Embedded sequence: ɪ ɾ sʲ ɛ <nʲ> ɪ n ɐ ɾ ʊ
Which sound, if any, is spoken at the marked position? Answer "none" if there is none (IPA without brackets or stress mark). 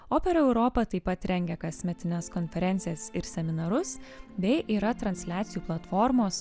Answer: mʲ